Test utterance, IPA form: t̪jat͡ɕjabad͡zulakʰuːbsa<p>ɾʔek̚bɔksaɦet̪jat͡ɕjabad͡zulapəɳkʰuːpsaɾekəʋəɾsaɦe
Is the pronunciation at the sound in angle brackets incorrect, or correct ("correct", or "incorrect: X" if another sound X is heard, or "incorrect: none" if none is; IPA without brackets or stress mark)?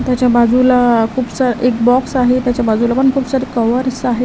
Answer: incorrect: none